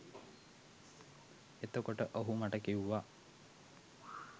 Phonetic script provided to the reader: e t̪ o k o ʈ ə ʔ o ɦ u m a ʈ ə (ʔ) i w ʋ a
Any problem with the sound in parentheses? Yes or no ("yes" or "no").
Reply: yes